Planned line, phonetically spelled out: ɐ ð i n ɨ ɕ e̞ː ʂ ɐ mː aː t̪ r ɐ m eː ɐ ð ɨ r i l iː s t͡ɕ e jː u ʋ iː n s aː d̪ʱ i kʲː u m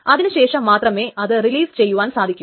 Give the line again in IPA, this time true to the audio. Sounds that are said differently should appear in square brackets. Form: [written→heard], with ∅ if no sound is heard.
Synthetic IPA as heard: ɐ ð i n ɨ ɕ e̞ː ʂ ɐ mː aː t̪ r ɐ m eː ɐ ð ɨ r i l iː s t͡ɕ e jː u ʋ [iː→aː] n s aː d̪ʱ i kʲː u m